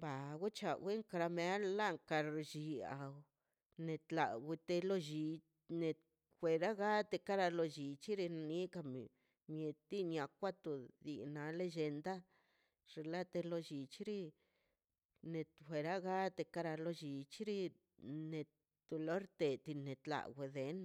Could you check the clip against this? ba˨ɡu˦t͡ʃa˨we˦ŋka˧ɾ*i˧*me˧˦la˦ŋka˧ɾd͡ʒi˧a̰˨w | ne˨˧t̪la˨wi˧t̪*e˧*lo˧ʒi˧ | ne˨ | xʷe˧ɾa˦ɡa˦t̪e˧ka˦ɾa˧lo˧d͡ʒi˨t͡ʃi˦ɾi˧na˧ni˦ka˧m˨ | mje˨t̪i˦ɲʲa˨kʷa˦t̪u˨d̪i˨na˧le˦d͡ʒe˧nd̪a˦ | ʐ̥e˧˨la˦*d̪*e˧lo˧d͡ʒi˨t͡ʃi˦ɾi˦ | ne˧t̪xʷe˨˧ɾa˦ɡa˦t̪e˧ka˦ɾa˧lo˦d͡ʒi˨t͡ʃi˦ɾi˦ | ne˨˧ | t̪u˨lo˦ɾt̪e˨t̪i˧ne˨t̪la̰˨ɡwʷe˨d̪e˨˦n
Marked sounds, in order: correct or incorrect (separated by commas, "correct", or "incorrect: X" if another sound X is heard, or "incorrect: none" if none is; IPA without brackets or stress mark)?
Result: incorrect: a˧, correct, incorrect: t̪